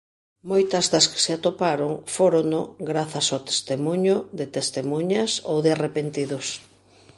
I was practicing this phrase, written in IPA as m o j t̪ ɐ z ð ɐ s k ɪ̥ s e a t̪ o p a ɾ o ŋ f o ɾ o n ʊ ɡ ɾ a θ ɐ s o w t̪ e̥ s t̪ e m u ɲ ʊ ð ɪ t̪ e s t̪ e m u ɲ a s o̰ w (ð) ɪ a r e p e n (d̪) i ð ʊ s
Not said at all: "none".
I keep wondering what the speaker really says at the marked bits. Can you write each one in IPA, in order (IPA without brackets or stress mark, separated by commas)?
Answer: ð, t̪